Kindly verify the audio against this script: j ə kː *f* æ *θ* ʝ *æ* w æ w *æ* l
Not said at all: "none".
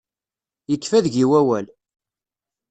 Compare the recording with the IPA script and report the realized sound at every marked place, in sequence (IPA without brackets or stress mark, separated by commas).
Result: f, ð, i, æ